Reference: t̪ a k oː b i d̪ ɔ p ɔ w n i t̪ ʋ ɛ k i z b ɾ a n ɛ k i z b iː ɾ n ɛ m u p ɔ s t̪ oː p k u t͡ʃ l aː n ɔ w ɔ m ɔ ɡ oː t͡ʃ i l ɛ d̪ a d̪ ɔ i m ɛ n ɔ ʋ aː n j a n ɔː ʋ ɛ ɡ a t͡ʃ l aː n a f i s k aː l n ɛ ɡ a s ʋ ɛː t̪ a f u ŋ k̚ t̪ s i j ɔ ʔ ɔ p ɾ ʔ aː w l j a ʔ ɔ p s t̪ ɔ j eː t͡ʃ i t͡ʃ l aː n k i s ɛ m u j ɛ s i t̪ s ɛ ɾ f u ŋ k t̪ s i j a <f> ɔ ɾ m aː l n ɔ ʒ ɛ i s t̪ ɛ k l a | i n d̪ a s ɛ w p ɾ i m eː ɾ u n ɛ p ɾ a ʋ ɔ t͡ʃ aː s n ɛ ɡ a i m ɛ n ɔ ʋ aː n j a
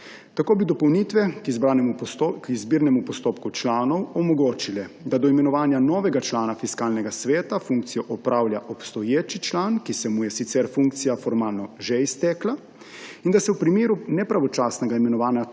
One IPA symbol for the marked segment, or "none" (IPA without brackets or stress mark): f